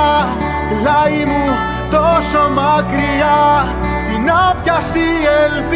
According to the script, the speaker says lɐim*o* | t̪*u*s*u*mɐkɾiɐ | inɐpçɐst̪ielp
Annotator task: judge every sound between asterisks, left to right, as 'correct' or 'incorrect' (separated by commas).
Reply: incorrect, incorrect, incorrect